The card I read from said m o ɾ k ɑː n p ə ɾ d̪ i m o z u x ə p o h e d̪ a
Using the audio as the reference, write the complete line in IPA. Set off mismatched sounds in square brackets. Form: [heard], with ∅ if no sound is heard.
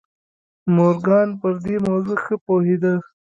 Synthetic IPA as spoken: m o ɾ [ɡ] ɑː n p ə ɾ d̪ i m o z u x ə p o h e d̪ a